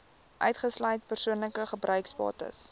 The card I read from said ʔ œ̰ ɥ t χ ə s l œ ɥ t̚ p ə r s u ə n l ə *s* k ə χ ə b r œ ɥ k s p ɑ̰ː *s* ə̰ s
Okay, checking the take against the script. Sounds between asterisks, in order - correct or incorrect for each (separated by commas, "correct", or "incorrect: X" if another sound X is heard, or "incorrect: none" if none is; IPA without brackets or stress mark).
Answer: incorrect: none, incorrect: t